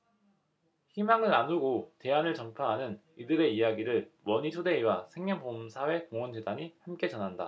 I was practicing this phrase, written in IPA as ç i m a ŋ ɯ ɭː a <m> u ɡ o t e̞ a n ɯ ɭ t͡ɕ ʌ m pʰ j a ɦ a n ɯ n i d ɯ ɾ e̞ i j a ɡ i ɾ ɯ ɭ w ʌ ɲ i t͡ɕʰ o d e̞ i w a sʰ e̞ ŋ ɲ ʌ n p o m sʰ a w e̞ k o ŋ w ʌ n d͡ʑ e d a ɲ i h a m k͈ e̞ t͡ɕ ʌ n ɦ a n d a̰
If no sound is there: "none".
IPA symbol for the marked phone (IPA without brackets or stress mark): n